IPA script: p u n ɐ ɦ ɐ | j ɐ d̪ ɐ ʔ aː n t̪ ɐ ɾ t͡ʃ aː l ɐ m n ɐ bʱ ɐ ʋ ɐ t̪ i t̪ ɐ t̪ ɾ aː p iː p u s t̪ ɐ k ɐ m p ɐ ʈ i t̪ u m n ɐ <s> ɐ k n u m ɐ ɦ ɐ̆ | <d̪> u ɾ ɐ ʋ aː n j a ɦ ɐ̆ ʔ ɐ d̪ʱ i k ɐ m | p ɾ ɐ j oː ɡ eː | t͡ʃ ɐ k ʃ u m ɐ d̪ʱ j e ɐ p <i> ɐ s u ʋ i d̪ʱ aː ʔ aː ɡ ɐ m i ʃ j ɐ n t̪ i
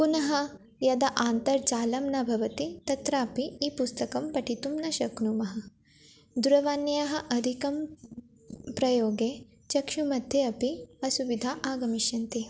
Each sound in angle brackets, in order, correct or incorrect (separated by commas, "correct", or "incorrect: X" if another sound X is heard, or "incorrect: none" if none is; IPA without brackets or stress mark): incorrect: ʃ, correct, correct